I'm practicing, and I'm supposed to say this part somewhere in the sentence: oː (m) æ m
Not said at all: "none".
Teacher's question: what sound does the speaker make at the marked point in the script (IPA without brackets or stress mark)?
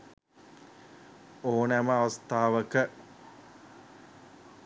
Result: n